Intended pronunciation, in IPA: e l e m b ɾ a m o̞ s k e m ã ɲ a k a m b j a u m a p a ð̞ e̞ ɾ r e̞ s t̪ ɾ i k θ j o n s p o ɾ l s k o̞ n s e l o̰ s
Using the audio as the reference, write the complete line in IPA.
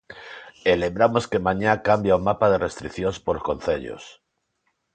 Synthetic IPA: e l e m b ɾ a m o̞ s k e m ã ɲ a k a m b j a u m a p a ð̞ e̞ r e̞ s t̪ ɾ i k θ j o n s p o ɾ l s k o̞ n θ e ʎ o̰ s